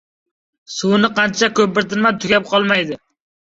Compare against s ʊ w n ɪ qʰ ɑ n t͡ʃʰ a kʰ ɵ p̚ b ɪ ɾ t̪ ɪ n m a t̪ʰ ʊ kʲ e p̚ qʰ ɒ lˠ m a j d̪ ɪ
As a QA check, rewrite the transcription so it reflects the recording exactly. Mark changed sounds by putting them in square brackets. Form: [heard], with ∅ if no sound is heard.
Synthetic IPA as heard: s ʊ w n ɪ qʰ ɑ n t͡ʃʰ a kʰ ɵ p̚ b ɪ ɾ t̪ ɪ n m a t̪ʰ ʊ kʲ [a] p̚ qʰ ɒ lˠ m a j d̪ ɪ